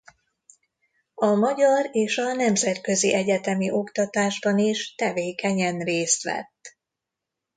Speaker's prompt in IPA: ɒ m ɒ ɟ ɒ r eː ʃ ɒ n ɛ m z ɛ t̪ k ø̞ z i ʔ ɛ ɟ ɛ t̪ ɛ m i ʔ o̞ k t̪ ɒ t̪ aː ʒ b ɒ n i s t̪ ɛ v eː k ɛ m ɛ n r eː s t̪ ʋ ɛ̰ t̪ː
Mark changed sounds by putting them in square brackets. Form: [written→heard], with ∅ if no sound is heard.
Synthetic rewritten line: ɒ m ɒ ɟ ɒ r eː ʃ ɒ n ɛ m z ɛ t̪ k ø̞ z i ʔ ɛ ɟ ɛ t̪ ɛ m i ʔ o̞ k t̪ ɒ t̪ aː ʒ b ɒ n i [s→ʃ] t̪ ɛ v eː k ɛ [m→ɲ] ɛ n r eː s t̪ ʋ ɛ̰ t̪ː

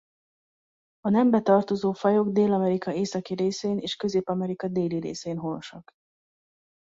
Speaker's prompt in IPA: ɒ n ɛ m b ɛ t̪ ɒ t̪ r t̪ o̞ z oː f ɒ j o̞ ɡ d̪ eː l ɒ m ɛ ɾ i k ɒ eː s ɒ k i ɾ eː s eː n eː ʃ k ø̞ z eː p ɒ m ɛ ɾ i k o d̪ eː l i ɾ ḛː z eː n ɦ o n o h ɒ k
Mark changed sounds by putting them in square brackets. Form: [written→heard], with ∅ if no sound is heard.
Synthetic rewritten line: ɒ n ɛ m b ɛ t̪ ɒ [t̪→∅] r t̪ o̞ z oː f ɒ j o̞ ɡ d̪ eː l ɒ m ɛ ɾ i k ɒ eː s ɒ k i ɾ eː s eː n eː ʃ k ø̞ z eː p ɒ m ɛ ɾ i k [o→ɒ] d̪ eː l i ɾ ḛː [z→s] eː n ɦ o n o [h→ʃ] ɒ k

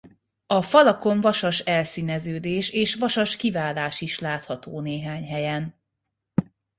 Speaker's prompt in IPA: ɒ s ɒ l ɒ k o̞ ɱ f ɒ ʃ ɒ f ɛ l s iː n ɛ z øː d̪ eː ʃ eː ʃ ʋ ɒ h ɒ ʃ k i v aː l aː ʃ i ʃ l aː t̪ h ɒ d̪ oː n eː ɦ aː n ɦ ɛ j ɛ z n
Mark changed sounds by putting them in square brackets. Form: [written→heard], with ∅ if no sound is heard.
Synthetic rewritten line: ɒ [s→f] ɒ l ɒ k o̞ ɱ [f→v] ɒ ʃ ɒ [f→ʃ] ɛ l s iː n ɛ z øː d̪ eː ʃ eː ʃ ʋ ɒ [h→ʃ] ɒ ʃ k i v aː l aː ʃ i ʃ l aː t̪ h ɒ [d̪→t̪] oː n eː ɦ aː [n→ɲ] ɦ ɛ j ɛ [z→∅] n

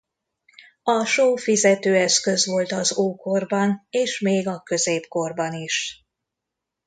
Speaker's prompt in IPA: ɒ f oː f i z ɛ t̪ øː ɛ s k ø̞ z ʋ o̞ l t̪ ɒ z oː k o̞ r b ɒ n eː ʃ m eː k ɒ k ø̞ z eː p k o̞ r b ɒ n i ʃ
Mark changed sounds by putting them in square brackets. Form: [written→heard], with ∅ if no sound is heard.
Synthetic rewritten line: ɒ [f→ʃ] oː f i z ɛ t̪ øː ɛ s k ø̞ z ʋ o̞ l t̪ ɒ z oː k o̞ r b ɒ n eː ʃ m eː [k→ɡ] ɒ k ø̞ z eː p k o̞ r b ɒ n i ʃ

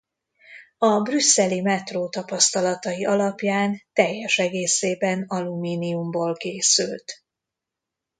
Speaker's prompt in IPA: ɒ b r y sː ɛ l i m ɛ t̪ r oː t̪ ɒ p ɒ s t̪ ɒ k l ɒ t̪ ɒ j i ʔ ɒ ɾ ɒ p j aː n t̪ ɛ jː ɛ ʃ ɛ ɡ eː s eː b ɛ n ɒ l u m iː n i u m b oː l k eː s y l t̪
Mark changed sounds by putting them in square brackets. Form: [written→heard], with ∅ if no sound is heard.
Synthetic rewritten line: ɒ b r y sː ɛ l i m ɛ t̪ r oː t̪ ɒ p ɒ s t̪ ɒ [k→∅] l ɒ t̪ ɒ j i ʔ ɒ [ɾ→l] ɒ p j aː n t̪ ɛ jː ɛ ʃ ɛ ɡ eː s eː b ɛ n ɒ l u m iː n i u m b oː l k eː s y l t̪

